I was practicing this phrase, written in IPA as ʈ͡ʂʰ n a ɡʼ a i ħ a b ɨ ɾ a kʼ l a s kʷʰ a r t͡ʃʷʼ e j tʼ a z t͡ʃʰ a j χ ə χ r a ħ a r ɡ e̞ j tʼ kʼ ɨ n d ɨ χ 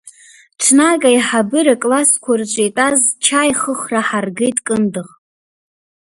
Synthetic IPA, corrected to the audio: ʈ͡ʂʰ n a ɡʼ a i ħ a b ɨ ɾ a kʼ l a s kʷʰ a r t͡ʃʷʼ e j tʼ a z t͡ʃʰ a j χ ə χ r a ħ a r ɡ e̞ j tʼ kʼ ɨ n d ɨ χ